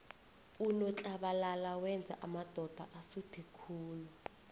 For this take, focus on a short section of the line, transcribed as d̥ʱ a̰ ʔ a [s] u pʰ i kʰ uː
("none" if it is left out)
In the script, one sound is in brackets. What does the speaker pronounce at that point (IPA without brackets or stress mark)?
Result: s